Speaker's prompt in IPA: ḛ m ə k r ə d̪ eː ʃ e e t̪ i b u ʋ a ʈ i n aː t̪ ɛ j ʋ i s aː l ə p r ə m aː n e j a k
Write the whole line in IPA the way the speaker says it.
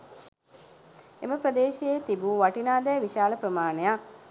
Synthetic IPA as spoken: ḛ m ə p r ə d̪ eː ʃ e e t̪ i b u ʋ a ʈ i n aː d̪ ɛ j ʋ i ʃ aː l ə p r ə m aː n e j a k